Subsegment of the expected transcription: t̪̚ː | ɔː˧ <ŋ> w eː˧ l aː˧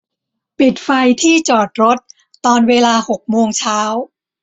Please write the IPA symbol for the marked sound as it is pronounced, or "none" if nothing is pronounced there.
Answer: n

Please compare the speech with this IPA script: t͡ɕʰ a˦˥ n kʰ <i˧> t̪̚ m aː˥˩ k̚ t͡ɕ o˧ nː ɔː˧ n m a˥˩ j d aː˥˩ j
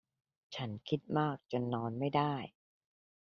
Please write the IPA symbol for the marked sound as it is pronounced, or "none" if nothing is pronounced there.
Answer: i˦˥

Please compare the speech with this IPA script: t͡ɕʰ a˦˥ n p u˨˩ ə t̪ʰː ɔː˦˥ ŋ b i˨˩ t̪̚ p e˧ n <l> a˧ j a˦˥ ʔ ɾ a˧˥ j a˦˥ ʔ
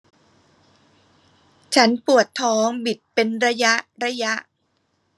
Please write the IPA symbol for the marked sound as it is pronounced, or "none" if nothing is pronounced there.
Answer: ɾ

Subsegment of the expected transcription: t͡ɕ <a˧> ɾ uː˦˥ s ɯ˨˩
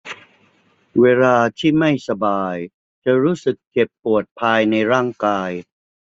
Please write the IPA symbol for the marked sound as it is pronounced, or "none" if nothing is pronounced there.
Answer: a˨˩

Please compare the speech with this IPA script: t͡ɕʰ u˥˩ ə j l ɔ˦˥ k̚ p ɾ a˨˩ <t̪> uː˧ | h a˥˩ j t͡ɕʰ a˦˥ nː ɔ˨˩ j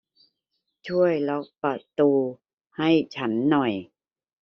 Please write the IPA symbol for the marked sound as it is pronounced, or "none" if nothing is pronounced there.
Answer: t̪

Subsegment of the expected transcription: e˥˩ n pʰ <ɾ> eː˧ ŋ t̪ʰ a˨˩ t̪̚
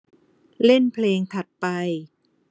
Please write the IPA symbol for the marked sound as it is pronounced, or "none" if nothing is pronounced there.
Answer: l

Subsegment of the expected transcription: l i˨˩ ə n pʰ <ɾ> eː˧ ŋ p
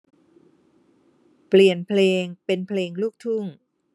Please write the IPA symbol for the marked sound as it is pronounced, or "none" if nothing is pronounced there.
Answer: l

